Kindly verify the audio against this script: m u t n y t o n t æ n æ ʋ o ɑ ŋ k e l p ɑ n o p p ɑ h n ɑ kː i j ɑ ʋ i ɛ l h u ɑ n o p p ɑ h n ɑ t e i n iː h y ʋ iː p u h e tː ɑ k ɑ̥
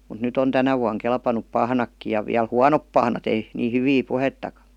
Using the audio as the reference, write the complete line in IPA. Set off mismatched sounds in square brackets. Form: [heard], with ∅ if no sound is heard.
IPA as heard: m u t n y t o n t æ n æ ʋ [u] ɑ ŋ k e l p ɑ n [u] p p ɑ h n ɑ kː i j ɑ ʋ i [æ] l h u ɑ n o p p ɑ h n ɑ t e i n iː h y ʋ iː p u h e tː ɑ k ɑ̥